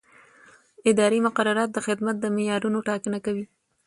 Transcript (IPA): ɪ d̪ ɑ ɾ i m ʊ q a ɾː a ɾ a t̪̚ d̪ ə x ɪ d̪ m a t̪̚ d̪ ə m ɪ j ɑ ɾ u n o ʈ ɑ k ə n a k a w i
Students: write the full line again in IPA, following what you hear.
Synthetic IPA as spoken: ɪ d̪ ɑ ɾ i m ʊ q a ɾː a ɾ ɑ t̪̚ d̪ ə x ɪ d̪ m a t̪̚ d̪ ə m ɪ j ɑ ɾ u n o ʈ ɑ k ə n a k a w i